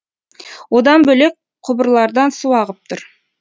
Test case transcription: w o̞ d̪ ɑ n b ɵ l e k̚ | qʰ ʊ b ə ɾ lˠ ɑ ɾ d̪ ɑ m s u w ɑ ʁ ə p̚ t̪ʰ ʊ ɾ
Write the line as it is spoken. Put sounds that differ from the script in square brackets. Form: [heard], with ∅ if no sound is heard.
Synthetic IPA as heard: w o̞ d̪ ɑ n b ɵ l e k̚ | qʰ ʊ b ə ɾ lˠ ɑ ɾ d̪ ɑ [n] s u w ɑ ʁ ə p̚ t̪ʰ ʊ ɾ